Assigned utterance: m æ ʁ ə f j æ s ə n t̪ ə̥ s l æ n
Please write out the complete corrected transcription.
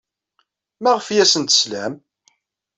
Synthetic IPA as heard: m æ ʁ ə f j æ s ə n t̪ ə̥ s l æ m